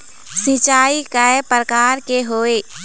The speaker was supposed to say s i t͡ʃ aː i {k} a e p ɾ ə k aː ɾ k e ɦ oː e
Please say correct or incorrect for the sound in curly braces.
correct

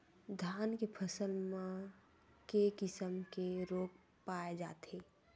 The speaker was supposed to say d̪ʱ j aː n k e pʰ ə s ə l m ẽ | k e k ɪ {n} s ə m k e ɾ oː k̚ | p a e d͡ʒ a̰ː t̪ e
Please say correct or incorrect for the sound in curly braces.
incorrect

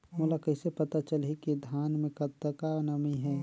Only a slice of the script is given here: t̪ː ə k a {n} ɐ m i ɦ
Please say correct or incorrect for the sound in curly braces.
correct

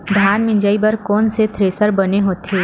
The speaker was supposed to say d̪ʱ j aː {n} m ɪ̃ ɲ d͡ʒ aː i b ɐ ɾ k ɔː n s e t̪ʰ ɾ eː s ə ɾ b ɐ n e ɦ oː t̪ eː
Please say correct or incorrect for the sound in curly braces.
correct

